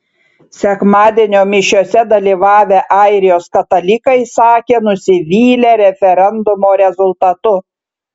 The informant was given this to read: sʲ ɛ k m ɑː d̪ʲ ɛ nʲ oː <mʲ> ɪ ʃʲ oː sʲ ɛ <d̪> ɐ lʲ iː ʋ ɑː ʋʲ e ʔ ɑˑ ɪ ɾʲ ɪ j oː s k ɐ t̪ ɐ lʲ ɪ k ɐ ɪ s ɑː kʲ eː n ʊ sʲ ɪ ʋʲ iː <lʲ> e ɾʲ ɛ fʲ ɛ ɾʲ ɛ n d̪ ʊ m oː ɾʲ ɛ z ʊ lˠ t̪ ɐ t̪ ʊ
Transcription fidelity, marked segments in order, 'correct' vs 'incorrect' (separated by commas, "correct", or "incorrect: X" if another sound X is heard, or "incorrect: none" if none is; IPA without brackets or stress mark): correct, correct, correct